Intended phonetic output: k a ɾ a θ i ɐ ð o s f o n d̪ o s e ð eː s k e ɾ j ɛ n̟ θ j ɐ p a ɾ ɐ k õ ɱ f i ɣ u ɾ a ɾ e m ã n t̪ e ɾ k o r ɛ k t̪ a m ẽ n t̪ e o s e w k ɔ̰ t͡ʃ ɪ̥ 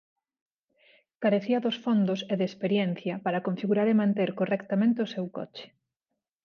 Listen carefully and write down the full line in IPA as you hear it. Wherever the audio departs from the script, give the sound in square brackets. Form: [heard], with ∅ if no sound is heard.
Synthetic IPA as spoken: k a ɾ [e] θ i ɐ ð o s f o n d̪ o s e ð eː s [p] e ɾ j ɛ n̟ θ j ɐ p a ɾ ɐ k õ ɱ f i ɣ u ɾ a ɾ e m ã n t̪ e ɾ k o r ɛ k t̪ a m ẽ n t̪ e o s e w k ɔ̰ t͡ʃ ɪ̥